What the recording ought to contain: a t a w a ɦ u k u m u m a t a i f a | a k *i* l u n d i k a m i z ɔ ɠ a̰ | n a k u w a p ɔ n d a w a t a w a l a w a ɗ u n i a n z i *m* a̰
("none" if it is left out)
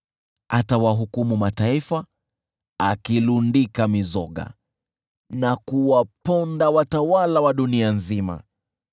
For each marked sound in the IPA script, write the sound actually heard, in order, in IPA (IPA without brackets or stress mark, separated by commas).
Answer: i, m